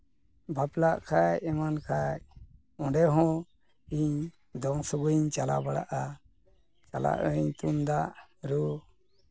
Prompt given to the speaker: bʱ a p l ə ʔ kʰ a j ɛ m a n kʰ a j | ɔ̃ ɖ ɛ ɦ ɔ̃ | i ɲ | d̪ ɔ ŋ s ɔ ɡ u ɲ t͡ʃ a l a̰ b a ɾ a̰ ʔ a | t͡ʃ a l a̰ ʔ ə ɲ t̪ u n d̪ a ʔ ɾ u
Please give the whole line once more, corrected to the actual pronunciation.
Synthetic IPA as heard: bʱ a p l a ʔ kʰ a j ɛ m a n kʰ a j | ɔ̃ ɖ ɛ ɦ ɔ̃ | i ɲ | d̪ ɔ ŋ s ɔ ɡ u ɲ t͡ʃ a l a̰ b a ɽ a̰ ʔ a | t͡ʃ a l a̰ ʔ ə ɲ t̪ u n d̪ a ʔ ɾ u